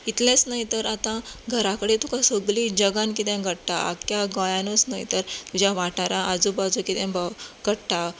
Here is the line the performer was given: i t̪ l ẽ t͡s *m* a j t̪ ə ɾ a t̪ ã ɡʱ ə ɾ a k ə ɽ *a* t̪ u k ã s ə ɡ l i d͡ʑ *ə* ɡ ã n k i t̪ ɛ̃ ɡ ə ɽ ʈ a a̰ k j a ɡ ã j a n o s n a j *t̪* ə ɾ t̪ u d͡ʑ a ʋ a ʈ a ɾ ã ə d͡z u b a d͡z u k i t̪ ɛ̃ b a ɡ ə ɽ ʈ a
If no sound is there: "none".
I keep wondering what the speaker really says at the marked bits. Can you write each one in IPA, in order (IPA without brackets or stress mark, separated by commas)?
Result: n, e, ə, t̪